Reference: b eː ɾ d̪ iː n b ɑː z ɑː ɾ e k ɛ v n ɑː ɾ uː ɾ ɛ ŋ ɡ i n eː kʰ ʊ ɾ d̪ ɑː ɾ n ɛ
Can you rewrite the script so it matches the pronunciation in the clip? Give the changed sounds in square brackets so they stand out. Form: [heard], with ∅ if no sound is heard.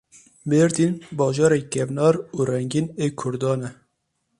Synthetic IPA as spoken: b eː ɾ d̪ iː n b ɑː [ʒ] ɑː ɾ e k ɛ v n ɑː ɾ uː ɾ ɛ ŋ ɡ i n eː kʰ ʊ ɾ d̪ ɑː [∅] n ɛ